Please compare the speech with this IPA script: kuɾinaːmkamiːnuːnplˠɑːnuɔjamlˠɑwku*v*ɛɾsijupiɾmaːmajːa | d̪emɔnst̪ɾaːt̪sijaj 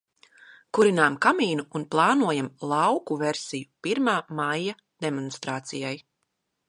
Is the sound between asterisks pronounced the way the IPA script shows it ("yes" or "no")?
yes